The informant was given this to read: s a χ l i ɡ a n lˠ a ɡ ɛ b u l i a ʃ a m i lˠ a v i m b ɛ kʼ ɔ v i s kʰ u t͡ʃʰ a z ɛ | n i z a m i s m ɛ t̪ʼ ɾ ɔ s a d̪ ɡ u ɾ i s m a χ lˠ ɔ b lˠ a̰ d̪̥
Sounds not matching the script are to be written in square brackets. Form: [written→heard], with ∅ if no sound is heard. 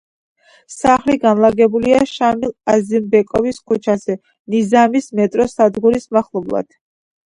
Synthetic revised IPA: s a χ l i ɡ a n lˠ a ɡ ɛ b u l i a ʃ a m i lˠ a [v→z] i m b ɛ kʼ ɔ v i s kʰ u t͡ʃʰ a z ɛ | n i z a m i s m ɛ t̪ʼ ɾ ɔ s a d̪ ɡ u ɾ i s m a χ lˠ ɔ b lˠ a̰ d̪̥

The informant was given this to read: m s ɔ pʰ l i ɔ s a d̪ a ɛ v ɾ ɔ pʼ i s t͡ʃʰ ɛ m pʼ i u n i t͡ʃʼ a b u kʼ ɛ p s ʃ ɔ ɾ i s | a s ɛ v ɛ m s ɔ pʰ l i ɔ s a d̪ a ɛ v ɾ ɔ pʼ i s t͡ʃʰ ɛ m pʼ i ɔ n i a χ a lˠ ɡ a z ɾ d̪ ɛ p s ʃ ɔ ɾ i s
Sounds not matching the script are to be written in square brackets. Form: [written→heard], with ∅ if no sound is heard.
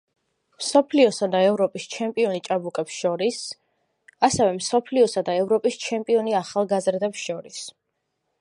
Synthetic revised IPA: m s ɔ pʰ l i ɔ s a d̪ a ɛ v ɾ ɔ pʼ i s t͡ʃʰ ɛ m pʼ i [u→ɔ] n i t͡ʃʼ a b u kʼ ɛ p s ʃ ɔ ɾ i s | a s ɛ v ɛ m s ɔ pʰ l i ɔ s a d̪ a ɛ v ɾ ɔ pʼ i s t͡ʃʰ ɛ m pʼ i ɔ n i a χ a lˠ ɡ a z ɾ d̪ ɛ p s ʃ ɔ ɾ i s

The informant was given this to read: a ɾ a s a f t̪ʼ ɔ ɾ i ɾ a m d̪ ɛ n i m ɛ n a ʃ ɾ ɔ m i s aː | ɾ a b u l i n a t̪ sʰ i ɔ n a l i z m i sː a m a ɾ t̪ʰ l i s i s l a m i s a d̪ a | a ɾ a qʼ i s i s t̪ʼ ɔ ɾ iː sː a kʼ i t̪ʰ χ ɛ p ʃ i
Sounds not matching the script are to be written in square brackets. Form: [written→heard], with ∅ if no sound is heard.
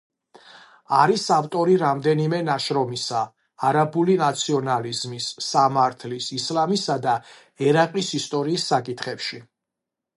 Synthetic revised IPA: a ɾ [a→i] s a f t̪ʼ ɔ ɾ i ɾ a m d̪ ɛ n i m ɛ n a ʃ ɾ ɔ m i s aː | ɾ a b u l i n a t̪ sʰ i ɔ n a l i z m i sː a m a ɾ t̪ʰ l i s i s l a m i s a d̪ a | [a→ɛ] ɾ a qʼ i s i s t̪ʼ ɔ ɾ iː sː a kʼ i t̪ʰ χ ɛ p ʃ i

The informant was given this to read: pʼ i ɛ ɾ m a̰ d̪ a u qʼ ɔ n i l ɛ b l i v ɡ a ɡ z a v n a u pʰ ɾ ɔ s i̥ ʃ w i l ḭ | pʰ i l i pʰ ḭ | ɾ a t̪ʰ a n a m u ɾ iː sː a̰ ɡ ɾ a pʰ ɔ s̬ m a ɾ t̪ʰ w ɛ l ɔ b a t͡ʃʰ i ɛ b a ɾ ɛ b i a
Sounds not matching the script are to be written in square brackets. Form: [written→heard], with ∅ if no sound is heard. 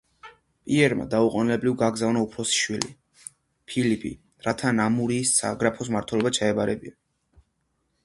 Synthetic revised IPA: pʼ i ɛ ɾ m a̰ d̪ a u qʼ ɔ n i l ɛ b l i v ɡ a ɡ z a v n a u pʰ ɾ ɔ s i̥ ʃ w i l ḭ | pʰ i l i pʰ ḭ | ɾ a t̪ʰ a n a m u ɾ iː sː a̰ ɡ ɾ a pʰ ɔ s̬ m a ɾ t̪ʰ w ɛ l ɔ b a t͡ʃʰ [i→a] ɛ b a ɾ ɛ b i a

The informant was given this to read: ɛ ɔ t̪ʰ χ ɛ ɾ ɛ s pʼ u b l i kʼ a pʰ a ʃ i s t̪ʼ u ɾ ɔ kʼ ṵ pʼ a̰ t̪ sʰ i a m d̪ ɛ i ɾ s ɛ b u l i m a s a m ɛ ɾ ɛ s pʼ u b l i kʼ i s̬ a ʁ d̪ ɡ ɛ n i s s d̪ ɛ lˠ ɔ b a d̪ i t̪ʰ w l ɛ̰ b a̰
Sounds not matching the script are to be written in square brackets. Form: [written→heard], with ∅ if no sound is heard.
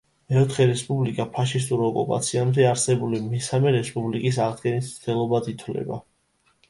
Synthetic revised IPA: ɛ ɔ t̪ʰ χ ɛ ɾ ɛ s pʼ u b l i kʼ a pʰ a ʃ i s t̪ʼ u ɾ ɔ kʼ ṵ pʼ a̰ t̪ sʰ i a m d̪ ɛ [i→a] ɾ s ɛ b u l i m [a→ɛ] s a m ɛ ɾ ɛ s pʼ u b l i kʼ i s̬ a ʁ d̪ ɡ ɛ n i s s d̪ ɛ lˠ ɔ b a d̪ i t̪ʰ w l ɛ̰ b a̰

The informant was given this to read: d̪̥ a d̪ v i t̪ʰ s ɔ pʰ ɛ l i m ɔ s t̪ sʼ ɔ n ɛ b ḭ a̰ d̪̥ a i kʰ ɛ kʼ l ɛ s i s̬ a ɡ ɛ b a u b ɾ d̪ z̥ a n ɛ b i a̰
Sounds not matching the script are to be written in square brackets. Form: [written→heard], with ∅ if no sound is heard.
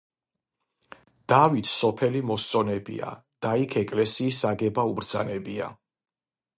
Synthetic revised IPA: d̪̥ a [d̪→∅] v i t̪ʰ s ɔ pʰ ɛ l i m ɔ s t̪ sʼ ɔ n ɛ b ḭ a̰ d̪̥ a i kʰ ɛ kʼ l ɛ s [i→iː] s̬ a ɡ ɛ b a u b ɾ d̪ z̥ a n ɛ b i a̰

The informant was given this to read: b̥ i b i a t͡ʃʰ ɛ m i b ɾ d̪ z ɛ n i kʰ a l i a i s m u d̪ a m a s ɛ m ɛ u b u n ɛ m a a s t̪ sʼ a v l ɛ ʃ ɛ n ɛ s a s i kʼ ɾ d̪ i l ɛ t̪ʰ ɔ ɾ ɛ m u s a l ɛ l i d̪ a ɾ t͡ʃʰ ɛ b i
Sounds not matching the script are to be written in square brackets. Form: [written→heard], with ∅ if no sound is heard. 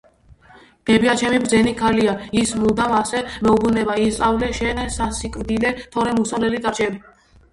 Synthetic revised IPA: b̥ [i→ɛ] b i a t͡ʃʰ ɛ m i b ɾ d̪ z ɛ n i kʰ a l i a i s m u d̪ a m a s ɛ m ɛ u b u n ɛ [m→b] a [a→i] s t̪ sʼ a v l ɛ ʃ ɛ n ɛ s a s i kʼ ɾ d̪ i l ɛ t̪ʰ ɔ ɾ ɛ m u s a l ɛ l i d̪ a ɾ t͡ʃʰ ɛ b i

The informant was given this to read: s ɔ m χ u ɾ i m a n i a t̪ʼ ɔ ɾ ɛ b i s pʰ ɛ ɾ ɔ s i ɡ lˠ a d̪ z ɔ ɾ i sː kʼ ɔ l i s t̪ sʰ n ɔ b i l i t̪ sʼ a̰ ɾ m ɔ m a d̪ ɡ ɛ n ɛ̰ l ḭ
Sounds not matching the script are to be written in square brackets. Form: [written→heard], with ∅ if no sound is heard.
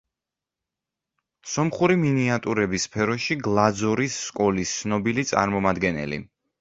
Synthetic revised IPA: s ɔ m χ u ɾ i m [a→i] n i a t̪ʼ [ɔ→u] ɾ ɛ b i s pʰ ɛ ɾ ɔ [s→ʃ] i ɡ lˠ a d̪ z ɔ ɾ i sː kʼ ɔ l i s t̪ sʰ n ɔ b i l i t̪ sʼ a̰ ɾ m ɔ m a d̪ ɡ ɛ n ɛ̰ l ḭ

